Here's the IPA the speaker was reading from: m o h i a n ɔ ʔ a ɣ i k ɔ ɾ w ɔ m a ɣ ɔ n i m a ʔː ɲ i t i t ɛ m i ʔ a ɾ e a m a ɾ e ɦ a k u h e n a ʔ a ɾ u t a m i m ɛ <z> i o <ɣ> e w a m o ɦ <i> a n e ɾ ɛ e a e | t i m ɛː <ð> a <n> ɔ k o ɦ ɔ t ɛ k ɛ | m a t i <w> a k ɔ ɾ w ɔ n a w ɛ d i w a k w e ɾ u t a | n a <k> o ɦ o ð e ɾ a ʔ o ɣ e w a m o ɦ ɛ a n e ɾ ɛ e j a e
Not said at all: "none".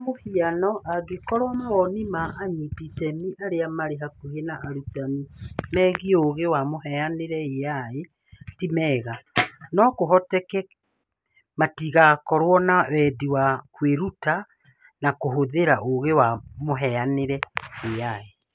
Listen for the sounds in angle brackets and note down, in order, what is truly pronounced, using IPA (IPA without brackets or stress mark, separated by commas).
ɣ, ɣ, ɛ, ɣ, n, ɣ, k